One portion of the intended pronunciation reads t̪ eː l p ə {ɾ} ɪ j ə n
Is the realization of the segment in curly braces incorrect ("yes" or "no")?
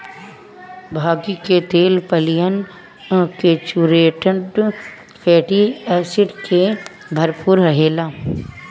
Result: yes